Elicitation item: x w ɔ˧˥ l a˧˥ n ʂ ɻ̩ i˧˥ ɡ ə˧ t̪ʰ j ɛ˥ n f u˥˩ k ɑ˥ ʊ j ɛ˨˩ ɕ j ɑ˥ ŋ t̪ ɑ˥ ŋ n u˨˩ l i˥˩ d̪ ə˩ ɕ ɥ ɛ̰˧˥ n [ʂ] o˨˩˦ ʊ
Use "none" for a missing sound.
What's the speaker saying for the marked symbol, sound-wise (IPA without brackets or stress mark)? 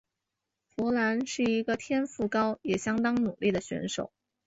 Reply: ʂ